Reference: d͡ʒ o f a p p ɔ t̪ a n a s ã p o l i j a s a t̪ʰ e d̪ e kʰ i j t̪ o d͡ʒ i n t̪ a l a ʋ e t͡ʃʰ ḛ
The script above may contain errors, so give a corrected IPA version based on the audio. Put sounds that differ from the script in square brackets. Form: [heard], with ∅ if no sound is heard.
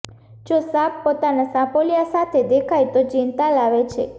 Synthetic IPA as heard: d͡ʒ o [s] a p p [o] t̪ a n a s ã p o l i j a s a t̪ʰ e d̪ e kʰ [a] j t̪ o d͡ʒ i n t̪ a l a ʋ e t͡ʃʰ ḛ